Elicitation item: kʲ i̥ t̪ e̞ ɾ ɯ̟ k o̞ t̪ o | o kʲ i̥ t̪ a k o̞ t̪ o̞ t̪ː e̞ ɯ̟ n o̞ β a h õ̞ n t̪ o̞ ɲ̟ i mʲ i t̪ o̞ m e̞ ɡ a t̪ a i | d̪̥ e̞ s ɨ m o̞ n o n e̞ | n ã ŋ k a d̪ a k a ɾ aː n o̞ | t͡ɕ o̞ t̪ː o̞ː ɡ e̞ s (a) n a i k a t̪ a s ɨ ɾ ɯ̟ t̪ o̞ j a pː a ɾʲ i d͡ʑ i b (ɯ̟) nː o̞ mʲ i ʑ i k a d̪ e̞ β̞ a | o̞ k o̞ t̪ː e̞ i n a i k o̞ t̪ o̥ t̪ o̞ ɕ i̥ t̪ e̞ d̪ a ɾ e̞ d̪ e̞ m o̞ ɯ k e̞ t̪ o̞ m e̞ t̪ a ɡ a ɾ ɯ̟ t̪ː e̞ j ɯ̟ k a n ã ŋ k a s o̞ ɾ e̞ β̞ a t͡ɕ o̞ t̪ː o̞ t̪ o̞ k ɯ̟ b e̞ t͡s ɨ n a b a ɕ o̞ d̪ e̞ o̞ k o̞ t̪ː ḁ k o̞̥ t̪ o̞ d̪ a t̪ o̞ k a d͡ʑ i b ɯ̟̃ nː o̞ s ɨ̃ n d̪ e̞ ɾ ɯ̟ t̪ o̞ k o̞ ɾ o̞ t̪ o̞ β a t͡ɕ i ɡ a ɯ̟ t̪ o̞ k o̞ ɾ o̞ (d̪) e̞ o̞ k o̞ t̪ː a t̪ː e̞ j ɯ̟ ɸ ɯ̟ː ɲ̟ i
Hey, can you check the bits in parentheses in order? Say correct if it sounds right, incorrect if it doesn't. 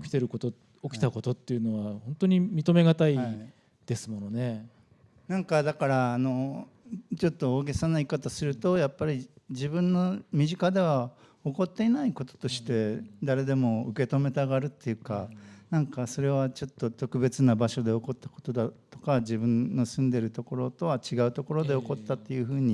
correct, incorrect: ɯ̟̃, correct

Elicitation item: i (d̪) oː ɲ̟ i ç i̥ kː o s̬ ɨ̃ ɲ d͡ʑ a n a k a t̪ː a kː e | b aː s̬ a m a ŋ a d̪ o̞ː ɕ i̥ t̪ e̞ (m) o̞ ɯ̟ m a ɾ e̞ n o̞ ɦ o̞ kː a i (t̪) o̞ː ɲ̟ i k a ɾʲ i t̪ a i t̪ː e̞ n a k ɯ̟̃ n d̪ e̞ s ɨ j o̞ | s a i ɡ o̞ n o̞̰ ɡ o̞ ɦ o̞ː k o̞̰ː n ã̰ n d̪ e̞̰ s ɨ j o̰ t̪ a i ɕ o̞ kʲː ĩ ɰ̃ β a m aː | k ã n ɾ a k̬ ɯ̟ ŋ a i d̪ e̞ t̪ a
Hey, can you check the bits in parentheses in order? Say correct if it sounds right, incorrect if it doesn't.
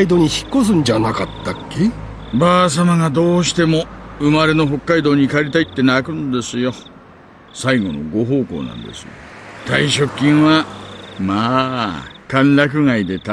correct, correct, incorrect: d̪

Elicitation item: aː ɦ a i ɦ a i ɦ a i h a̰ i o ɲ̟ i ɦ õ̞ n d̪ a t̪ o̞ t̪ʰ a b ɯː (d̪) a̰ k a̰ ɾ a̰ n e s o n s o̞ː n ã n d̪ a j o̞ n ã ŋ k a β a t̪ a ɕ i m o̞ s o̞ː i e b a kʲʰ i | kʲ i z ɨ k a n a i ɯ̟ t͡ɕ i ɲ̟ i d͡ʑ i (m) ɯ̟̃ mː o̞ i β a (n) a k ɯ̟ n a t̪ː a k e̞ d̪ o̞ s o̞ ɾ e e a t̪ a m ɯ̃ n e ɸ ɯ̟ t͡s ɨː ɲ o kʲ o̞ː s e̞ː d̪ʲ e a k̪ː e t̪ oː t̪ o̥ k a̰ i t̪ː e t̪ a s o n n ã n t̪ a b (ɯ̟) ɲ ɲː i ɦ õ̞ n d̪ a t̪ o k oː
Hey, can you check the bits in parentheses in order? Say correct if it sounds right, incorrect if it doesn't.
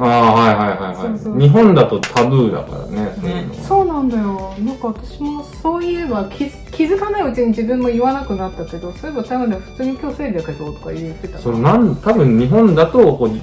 correct, incorrect: b, correct, incorrect: ɯ̟̃

